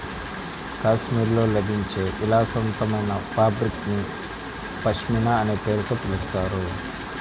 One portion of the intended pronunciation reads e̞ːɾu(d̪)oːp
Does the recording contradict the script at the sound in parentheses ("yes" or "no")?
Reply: yes